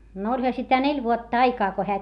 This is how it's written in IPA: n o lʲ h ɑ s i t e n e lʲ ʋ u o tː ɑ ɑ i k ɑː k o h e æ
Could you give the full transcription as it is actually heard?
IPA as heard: n o lʲ h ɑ s i t æ n e lʲ ʋ u o tː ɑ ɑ i k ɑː k o h e æ

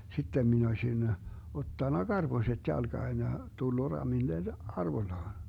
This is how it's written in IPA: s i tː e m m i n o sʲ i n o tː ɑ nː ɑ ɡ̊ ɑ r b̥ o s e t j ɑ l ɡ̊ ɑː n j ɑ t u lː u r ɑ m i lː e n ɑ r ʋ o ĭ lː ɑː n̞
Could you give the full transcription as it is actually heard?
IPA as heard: s i tː e m m i n o sʲ i n o tː ɑ nː ɑ ɡ̊ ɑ r b̥ o s e t j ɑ l ɡ̊ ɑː n j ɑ t u lː u r ɑ m i lː e n ɑ r ʋ o ĭ lː ɑː n̞

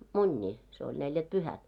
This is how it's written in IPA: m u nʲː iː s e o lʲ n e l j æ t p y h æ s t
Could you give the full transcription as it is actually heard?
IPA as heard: m u nʲː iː s e o lʲ n e l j æ t p y h æ t

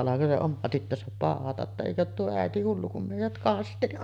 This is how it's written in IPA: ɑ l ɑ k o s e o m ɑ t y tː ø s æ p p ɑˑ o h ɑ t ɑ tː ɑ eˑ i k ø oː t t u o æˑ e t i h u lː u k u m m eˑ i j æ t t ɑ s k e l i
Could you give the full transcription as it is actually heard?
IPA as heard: ɑ l ɑ k o s e o m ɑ t y tː ø s æ p p ɑˑ o h ɑ t ɑ tː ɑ eˑ i k ø oː t t u o æˑ e t i h u lː u k u m m eˑ i j æ t k ɑ s t e l i

